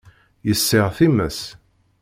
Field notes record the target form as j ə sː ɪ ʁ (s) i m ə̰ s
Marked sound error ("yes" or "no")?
yes